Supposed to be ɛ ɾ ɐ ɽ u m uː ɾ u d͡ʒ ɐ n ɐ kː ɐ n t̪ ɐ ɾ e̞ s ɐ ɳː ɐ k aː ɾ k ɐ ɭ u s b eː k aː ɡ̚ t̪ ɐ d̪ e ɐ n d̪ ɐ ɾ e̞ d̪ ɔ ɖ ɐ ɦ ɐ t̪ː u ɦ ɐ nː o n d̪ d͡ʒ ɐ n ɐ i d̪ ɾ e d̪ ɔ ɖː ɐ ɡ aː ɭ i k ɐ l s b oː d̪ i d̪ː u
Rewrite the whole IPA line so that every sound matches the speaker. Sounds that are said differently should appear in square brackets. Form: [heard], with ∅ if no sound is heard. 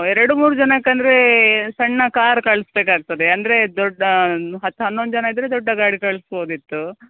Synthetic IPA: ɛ ɾ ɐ ɽ u m uː ɾ u d͡ʒ ɐ n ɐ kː ɐ n [d̪] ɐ ɾ e̞ s ɐ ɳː ɐ k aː ɾ k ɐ ɭ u s b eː k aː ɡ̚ t̪ ɐ d̪ e ɐ n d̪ ɐ ɾ e̞ d̪ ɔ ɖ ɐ ɦ ɐ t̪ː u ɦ ɐ nː o n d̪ d͡ʒ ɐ n ɐ i d̪ ɾ e d̪ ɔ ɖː ɐ ɡ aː [ɽ] i k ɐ [ɭ] s b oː d̪ i [t̪ː] u

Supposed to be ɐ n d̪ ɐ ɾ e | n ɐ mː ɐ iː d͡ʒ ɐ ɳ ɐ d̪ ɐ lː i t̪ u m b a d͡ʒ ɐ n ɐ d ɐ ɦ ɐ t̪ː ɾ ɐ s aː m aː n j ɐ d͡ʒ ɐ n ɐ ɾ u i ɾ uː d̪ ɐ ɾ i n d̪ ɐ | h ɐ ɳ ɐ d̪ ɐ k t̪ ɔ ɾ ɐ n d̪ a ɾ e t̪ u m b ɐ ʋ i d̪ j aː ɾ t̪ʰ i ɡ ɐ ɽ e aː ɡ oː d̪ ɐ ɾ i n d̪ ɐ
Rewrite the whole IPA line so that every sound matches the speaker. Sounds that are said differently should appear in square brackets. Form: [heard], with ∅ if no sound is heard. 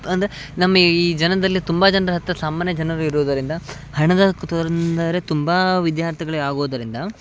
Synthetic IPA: ɐ n d̪ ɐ ɾ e | n ɐ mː ɐ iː d͡ʒ ɐ [n] ɐ d̪ ɐ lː i t̪ u m b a d͡ʒ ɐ n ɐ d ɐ ɦ ɐ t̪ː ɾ ɐ s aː m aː n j ɐ d͡ʒ ɐ n ɐ ɾ u i ɾ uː d̪ ɐ ɾ i n d̪ ɐ | h ɐ ɳ ɐ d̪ ɐ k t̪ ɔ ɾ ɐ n d̪ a ɾ e t̪ u m b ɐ ʋ i d̪ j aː ɾ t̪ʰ i ɡ ɐ [ɭ] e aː ɡ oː d̪ ɐ ɾ i n d̪ ɐ

